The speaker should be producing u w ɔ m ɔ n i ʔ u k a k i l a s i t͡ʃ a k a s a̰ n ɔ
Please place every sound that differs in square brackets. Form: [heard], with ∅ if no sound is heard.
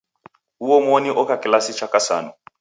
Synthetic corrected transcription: u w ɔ m ɔ n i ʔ [ɔ] k a k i l a s i t͡ʃ a k a s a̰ n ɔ